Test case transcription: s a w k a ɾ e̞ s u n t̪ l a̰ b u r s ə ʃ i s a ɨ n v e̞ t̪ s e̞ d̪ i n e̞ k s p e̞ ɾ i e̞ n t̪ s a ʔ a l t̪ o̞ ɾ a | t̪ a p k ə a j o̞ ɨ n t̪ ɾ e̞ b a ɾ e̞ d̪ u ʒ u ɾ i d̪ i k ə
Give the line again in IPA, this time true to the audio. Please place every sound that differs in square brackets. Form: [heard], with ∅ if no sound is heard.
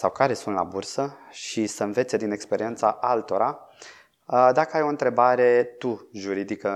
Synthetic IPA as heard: s a w k a ɾ e̞ s u n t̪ l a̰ b u r s ə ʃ i s [ə] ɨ n v e̞ t̪ s e̞ d̪ i n e̞ k s p e̞ ɾ i e̞ n t̪ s a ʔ a l t̪ o̞ ɾ a | [d̪] a [∅] k ə a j o̞ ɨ n t̪ ɾ e̞ b a ɾ e̞ [t̪] u ʒ u ɾ i d̪ i k ə